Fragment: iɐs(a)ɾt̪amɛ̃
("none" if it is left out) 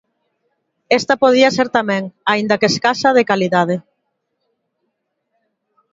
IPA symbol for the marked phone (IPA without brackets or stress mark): e